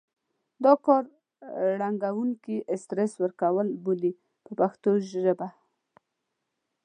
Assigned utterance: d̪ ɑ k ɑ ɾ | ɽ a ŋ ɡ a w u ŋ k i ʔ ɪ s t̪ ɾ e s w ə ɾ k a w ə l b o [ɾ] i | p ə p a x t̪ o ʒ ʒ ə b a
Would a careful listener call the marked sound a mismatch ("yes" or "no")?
yes